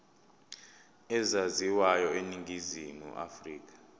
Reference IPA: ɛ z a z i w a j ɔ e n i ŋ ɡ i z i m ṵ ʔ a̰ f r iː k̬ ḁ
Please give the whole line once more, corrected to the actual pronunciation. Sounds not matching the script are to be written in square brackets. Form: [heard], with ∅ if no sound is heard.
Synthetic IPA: ɛ z a z i w a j ɔ e n i ŋ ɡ i z i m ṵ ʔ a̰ f r iː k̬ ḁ